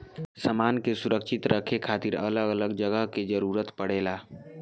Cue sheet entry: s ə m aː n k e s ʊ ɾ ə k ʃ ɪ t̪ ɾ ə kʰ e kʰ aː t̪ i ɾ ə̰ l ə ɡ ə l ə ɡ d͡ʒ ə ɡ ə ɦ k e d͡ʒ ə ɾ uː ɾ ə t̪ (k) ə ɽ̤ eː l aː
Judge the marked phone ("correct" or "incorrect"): incorrect